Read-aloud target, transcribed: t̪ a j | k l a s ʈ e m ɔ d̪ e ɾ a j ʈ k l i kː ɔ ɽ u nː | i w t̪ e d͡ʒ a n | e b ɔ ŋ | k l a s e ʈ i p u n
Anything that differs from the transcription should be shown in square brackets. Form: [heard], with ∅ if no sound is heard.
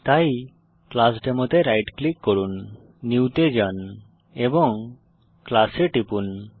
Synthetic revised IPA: t̪ a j | k l a s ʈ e m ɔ [t̪] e ɾ a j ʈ k l i kː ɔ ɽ u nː | i w t̪ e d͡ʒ a n | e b ɔ ŋ | k l a s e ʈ i p u n

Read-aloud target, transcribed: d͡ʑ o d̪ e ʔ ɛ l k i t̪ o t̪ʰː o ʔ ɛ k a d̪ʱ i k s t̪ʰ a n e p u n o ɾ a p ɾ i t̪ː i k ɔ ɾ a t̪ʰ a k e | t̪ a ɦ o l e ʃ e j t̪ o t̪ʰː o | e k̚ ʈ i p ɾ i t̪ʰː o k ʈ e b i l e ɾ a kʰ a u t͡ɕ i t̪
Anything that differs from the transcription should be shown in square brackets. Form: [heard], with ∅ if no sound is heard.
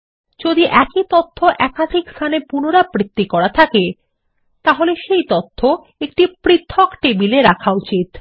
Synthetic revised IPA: d͡ʑ o d̪ [i] ʔ ɛ [∅] k i t̪ o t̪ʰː o ʔ ɛ k a d̪ʱ i k s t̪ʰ a n e p u n o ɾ a p ɾ i t̪ː i k ɔ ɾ a t̪ʰ a k e | t̪ a ɦ o l e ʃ e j t̪ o t̪ʰː o | e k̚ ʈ i p ɾ i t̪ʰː o k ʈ e b i l e ɾ a kʰ a u t͡ɕ i t̪

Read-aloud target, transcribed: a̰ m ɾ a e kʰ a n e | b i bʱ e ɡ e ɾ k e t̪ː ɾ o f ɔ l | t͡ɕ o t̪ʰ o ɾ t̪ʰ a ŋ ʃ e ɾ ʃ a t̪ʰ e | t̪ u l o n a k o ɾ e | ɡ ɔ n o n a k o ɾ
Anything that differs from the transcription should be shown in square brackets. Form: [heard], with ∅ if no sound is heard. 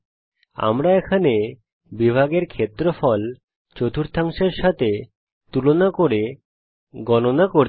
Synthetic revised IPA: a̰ m ɾ a e kʰ a n e | b i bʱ [a] ɡ e ɾ [kʰ] e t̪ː ɾ o f ɔ l | t͡ɕ o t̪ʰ [u] ɾ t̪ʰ a ŋ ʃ e ɾ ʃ a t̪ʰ e | t̪ u l o n a k o ɾ e | ɡ ɔ n o n a k o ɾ

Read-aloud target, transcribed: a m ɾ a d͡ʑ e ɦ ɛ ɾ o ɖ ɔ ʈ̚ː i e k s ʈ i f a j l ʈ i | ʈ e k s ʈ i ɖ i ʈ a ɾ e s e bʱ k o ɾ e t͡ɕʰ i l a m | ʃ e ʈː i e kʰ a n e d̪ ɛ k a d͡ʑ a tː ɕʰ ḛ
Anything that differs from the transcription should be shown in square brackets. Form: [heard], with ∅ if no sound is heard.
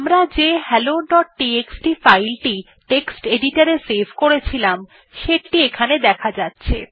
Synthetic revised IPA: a m ɾ a d͡ʑ e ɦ ɛ [l] o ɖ ɔ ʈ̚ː i e k s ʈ i f a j l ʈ i | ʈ e k s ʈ [e] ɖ i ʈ a ɾ e s e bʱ k o ɾ e t͡ɕʰ i l a m | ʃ e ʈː i e kʰ a n e d̪ ɛ [kʰ] a d͡ʑ a tː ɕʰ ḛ

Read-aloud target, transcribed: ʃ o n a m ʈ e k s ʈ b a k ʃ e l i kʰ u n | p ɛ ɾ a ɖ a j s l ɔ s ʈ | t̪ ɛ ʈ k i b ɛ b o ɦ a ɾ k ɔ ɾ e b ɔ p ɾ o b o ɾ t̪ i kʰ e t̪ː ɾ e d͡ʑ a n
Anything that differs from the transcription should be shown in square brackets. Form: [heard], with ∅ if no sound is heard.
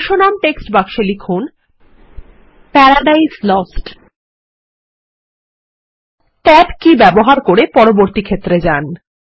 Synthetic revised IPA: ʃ o n a m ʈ e k s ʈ b a k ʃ e l i kʰ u n | p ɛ ɾ a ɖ a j s l ɔ s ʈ | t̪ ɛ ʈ k i b ɛ b o ɦ a ɾ k [o] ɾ e [p] ɔ [∅] ɾ o b o ɾ t̪ i kʰ e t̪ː ɾ e d͡ʑ a n

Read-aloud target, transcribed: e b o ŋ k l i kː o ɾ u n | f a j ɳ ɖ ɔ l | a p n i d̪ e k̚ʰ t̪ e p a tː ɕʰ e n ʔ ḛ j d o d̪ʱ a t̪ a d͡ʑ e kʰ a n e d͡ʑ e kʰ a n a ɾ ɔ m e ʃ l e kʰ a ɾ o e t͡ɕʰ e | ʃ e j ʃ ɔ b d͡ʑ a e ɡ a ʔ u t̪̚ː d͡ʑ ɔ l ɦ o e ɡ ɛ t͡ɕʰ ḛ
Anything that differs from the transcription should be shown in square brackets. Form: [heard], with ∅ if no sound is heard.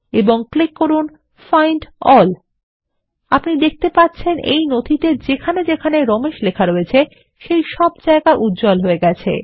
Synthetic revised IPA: e b o ŋ k l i kː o ɾ u n | f a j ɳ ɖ ɔ l | a p n i d̪ e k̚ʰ t̪ e p a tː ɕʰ e n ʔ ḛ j [n] o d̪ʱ [i] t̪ [e] d͡ʑ e kʰ a n e d͡ʑ e kʰ a n [e] ɾ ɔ m e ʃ l e kʰ a ɾ o e t͡ɕʰ e | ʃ e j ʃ ɔ b d͡ʑ a e ɡ a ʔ u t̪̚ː d͡ʑ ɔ l ɦ o e ɡ ɛ t͡ɕʰ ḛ

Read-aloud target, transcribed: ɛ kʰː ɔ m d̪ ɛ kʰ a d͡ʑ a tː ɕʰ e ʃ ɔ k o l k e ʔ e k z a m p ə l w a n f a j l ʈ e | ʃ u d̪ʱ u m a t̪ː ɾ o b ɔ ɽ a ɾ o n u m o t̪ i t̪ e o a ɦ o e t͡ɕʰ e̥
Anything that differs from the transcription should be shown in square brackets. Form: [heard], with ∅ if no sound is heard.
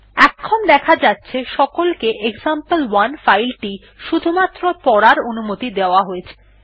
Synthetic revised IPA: ɛ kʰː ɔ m d̪ ɛ kʰ a d͡ʑ a tː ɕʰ e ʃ ɔ k o l k e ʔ e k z a m p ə l w a n f a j l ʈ [i] | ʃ u d̪ʱ u m a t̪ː ɾ o [p] ɔ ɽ a ɾ o n u m o t̪ i [d̪] e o a ɦ o e t͡ɕʰ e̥

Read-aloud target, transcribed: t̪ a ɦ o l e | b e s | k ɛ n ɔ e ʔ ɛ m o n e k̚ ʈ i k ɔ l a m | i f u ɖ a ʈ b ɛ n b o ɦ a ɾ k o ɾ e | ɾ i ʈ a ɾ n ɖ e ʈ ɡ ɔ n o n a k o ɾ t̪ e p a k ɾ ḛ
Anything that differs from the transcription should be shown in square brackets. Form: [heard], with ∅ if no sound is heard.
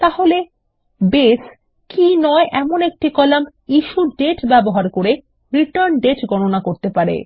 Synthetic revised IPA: t̪ a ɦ o l e | b e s | k [i] n ɔ e ʔ ɛ m o n e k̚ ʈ i k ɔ l a m | i [ʃ] u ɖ [e] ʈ b ɛ [∅] b o ɦ a ɾ k o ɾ e | ɾ i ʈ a ɾ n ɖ e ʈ ɡ ɔ n o n a k o ɾ t̪ e p a [∅] ɾ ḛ

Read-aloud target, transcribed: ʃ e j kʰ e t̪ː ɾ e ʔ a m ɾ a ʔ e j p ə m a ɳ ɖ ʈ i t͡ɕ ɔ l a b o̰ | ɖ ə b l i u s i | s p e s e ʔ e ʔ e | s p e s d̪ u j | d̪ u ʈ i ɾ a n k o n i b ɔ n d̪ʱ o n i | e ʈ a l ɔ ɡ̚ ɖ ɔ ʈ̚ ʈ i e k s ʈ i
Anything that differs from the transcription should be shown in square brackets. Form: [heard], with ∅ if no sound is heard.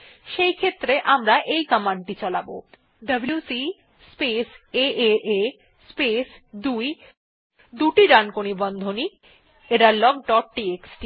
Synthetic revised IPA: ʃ e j kʰ e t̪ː ɾ e ʔ a m ɾ a ʔ e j [k] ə m a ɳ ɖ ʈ i t͡ɕ ɔ l a b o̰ | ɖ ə b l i u s i | s p e s e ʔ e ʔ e | s p e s d̪ u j | d̪ u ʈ i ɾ a n k o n i b ɔ n d̪ʱ o n i | e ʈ a l ɔ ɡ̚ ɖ ɔ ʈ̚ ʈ i e k s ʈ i

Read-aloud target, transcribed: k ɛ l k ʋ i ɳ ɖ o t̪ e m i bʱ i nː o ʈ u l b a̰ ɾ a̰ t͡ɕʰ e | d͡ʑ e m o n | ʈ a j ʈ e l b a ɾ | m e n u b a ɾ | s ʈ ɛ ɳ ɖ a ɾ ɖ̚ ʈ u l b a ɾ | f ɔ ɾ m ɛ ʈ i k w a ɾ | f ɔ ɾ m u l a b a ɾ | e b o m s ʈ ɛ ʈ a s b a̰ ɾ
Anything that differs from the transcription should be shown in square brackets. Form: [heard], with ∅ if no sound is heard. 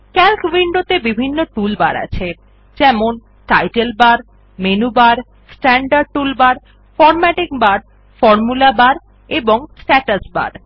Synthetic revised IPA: k ɛ l k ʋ i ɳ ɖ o t̪ e [b] i bʱ i nː o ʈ u l b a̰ ɾ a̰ t͡ɕʰ e | d͡ʑ [ɛ] m o n | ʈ a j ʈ e l b a ɾ | m e n u b a ɾ | s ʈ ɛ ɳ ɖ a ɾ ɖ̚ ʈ u l b a ɾ | f ɔ ɾ m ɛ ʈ i k [b] a ɾ | f ɔ ɾ m u l a b a ɾ | e b o [ŋ] s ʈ ɛ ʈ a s b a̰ ɾ

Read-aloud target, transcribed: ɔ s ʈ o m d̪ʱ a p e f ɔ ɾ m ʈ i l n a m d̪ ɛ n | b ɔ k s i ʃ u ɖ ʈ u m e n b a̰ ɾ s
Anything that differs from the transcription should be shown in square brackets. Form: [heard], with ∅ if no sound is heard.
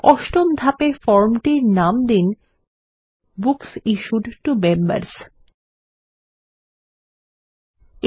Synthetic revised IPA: ɔ [ʃ] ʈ o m d̪ʱ a p e f ɔ ɾ m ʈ i [ɾ] n a m d̪ [i] n | b [u] k s i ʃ u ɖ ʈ u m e [m] b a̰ ɾ s

